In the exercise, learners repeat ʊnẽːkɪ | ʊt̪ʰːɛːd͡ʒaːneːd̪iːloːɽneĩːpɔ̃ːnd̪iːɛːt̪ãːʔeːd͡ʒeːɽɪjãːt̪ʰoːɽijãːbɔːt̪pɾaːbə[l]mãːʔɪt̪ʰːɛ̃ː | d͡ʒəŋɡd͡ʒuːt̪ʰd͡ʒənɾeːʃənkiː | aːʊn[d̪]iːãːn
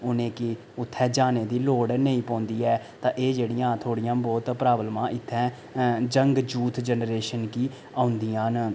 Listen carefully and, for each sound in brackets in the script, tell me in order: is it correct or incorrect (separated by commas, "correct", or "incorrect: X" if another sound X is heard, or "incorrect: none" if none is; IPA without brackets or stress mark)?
correct, correct